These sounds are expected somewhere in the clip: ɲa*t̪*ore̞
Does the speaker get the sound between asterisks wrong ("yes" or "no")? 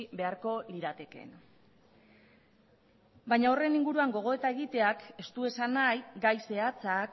yes